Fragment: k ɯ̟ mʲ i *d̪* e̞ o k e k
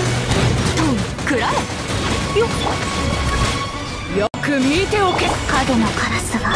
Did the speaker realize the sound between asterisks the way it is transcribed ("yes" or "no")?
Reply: no